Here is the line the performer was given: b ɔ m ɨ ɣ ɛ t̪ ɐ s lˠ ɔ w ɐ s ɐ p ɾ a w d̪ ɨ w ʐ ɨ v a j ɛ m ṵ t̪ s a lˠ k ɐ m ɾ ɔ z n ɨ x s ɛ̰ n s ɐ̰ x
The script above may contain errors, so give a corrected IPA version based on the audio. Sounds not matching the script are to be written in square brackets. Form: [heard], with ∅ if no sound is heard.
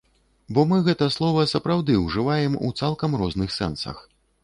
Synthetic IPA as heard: b ɔ m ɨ ɣ ɛ t̪ ɐ s lˠ ɔ [v] ɐ s ɐ p ɾ a w d̪ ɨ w ʐ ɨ v a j ɛ m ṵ t̪ s a lˠ k ɐ m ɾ ɔ z n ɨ x s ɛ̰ n s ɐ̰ x